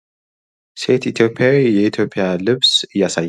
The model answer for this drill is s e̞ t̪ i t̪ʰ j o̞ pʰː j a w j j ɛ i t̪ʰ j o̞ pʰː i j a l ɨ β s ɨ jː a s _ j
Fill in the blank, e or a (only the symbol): a